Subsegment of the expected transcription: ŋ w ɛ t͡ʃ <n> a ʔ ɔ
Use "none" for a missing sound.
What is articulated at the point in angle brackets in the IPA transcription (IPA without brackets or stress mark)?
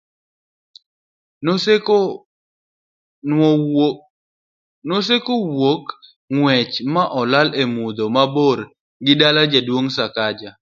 m